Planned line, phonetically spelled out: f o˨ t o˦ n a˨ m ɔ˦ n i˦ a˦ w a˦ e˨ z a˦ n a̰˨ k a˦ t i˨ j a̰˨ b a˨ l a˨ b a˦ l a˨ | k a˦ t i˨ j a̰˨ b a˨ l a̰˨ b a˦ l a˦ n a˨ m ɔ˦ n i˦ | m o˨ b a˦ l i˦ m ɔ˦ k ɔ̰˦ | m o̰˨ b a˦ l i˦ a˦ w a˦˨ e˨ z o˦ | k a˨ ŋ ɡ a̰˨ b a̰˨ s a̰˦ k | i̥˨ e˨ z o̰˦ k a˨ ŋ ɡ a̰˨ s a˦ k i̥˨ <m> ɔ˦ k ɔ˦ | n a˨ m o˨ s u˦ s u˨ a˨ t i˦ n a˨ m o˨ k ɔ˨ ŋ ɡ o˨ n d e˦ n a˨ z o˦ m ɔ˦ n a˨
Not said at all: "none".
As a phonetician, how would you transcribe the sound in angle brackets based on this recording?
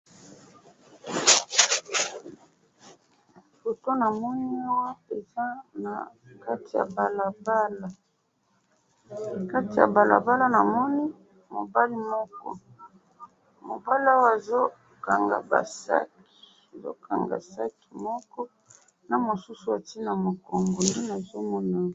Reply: m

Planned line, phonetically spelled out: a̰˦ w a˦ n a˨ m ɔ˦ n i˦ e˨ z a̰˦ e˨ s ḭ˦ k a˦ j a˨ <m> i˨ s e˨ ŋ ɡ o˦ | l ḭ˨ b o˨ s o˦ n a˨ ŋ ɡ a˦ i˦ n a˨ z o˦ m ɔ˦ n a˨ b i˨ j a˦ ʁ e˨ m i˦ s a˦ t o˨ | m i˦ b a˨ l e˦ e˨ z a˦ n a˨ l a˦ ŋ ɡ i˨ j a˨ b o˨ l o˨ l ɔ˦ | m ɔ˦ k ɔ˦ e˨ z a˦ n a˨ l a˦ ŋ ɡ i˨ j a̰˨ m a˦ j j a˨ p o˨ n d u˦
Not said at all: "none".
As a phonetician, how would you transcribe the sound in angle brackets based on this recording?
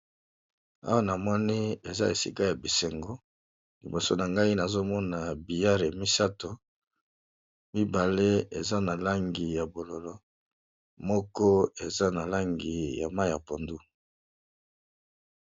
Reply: b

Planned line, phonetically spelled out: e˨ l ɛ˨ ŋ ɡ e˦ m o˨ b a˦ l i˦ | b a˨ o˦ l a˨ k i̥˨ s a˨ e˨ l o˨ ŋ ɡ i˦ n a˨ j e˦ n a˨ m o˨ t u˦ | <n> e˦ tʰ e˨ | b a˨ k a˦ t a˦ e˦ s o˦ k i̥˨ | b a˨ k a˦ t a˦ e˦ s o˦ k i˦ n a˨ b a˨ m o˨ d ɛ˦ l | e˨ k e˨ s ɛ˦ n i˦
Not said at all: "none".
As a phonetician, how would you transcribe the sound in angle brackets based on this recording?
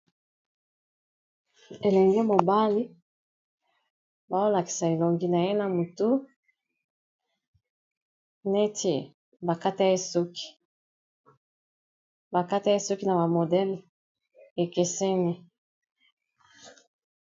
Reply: n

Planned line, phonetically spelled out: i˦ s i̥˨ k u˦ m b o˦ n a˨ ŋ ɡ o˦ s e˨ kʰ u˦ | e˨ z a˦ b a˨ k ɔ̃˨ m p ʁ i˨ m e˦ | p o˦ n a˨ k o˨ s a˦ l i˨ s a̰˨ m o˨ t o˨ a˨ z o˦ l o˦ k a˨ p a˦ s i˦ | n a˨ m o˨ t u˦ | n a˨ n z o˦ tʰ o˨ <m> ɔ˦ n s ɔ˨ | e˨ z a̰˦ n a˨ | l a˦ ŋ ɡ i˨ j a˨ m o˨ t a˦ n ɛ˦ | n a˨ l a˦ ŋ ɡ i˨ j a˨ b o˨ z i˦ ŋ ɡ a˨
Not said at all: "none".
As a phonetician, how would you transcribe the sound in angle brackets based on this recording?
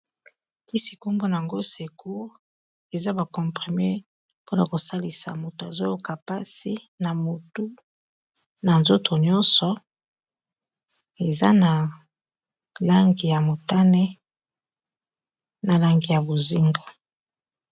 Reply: ɲ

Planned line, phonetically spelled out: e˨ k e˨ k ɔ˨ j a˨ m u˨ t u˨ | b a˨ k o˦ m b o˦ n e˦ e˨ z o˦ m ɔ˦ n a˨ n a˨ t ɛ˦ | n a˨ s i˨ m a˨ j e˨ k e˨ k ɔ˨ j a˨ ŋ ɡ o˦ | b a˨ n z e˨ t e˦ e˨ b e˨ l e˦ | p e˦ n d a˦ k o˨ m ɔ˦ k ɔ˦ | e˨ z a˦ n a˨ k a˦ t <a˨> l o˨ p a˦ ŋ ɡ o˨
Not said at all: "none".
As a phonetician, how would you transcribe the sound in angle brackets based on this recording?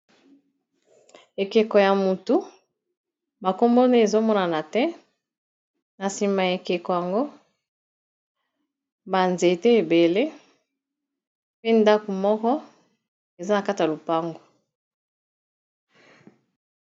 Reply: a˨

